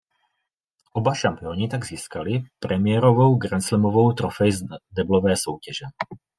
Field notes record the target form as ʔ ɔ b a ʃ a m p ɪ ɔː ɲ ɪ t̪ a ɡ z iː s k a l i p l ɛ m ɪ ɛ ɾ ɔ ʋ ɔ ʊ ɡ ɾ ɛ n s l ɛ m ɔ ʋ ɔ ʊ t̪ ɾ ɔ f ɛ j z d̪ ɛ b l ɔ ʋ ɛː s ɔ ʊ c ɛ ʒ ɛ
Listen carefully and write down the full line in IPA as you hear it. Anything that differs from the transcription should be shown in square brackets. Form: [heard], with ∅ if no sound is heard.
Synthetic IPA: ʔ ɔ b a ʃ a m p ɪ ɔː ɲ [i] t̪ a ɡ z iː s k a l i p [ɾ] ɛ m ɪ ɛ ɾ ɔ ʋ ɔ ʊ ɡ ɾ ɛ n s l ɛ m ɔ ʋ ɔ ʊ t̪ ɾ ɔ f ɛ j z d̪ ɛ b l ɔ ʋ ɛː s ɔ ʊ c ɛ ʒ ɛ